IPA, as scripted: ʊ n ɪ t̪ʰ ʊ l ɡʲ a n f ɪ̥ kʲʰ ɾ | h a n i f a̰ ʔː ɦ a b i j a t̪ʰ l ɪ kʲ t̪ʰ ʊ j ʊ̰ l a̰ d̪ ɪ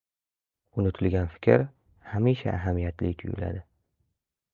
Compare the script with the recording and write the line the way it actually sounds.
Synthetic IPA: ʊ n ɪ t̪ʰ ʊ l ɡʲ a n f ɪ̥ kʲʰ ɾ | h a m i ʃ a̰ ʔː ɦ a m i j a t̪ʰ l ɪ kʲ t̪ʰ ʊ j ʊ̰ l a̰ d̪ ɪ